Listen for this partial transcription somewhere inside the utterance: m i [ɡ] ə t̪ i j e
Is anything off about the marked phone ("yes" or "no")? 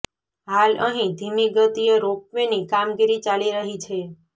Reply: no